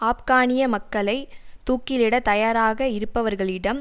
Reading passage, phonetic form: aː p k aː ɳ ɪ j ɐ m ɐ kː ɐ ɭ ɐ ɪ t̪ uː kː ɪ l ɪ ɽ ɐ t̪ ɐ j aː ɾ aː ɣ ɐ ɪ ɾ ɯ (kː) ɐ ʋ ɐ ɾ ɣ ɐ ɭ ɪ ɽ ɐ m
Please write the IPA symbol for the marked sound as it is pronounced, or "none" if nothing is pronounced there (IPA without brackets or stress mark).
pː